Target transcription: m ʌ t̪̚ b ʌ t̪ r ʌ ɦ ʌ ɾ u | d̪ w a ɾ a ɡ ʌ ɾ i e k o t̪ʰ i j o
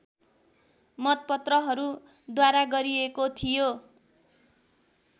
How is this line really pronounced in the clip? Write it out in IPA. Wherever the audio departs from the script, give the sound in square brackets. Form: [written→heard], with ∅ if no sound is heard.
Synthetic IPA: m ʌ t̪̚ [b→p] ʌ t̪ r ʌ ɦ ʌ ɾ u | d̪ w a ɾ a ɡ ʌ ɾ i e k o t̪ʰ i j o